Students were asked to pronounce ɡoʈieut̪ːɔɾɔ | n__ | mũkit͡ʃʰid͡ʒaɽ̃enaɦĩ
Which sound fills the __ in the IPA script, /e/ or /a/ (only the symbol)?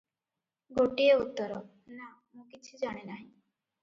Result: a